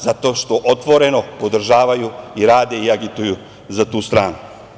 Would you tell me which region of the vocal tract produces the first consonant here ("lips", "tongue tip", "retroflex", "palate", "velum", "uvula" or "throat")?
tongue tip